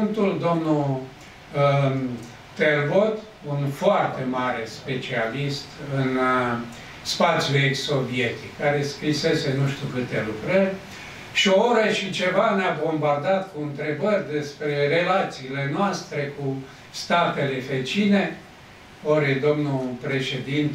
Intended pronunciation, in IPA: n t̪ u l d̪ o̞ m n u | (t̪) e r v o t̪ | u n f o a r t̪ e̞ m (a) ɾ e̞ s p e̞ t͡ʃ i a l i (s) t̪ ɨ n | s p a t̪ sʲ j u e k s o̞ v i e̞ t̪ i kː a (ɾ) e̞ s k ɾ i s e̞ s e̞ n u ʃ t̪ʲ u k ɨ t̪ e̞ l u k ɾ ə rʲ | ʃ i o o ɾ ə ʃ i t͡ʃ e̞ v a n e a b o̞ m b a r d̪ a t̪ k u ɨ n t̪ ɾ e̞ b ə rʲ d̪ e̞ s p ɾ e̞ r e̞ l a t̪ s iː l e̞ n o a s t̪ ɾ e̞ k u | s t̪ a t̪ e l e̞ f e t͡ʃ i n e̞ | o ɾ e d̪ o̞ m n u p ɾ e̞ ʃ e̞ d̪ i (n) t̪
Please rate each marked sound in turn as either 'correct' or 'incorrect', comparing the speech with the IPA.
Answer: correct, correct, correct, correct, correct

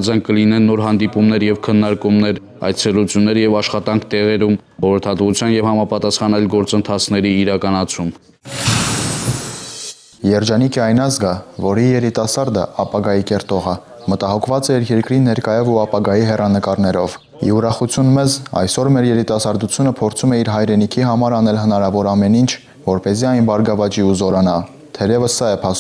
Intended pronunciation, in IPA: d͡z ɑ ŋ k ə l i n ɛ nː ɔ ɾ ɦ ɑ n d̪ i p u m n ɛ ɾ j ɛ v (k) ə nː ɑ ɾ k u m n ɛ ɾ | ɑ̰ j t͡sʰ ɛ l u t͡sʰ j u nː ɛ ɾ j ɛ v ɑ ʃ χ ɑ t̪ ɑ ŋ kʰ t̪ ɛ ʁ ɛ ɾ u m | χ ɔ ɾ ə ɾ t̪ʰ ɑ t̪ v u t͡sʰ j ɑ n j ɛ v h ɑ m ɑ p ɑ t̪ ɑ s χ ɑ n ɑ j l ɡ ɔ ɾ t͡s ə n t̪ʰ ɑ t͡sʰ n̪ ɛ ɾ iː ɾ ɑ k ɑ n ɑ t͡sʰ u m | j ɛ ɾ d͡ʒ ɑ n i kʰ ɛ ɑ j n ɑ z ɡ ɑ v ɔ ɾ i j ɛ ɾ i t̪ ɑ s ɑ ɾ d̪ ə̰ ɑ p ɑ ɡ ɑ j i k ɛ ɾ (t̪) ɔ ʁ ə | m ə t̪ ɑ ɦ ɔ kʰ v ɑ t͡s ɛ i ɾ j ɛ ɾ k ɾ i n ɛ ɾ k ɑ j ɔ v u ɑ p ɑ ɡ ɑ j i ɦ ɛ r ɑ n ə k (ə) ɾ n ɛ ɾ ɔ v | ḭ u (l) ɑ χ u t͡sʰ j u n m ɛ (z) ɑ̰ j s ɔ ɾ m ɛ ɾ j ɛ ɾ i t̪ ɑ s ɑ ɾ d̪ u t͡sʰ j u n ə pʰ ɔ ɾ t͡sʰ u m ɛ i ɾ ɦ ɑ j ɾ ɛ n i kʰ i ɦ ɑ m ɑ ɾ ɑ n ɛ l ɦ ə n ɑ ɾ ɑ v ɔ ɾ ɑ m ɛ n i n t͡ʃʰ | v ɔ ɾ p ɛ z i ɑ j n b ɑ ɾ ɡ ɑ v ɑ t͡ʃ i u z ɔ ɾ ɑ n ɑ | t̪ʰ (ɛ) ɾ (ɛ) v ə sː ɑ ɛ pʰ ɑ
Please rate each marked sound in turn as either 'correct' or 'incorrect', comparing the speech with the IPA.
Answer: incorrect, correct, incorrect, incorrect, correct, correct, correct

